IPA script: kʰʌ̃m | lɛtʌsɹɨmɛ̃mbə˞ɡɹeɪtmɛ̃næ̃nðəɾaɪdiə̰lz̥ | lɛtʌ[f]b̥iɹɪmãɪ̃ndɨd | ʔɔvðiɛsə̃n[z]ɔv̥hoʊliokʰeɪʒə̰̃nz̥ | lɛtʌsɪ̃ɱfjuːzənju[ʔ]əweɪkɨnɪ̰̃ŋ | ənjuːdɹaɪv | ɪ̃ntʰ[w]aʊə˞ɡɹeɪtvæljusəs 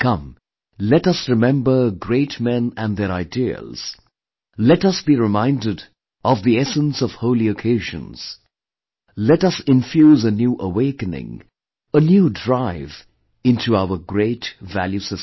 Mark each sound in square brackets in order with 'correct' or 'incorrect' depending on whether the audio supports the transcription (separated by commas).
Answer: incorrect, incorrect, correct, incorrect